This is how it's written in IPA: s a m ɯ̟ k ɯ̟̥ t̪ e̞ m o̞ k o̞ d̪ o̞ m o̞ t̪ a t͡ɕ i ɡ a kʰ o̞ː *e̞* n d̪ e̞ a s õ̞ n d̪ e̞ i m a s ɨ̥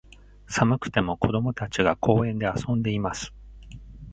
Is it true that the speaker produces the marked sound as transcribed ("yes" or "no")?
no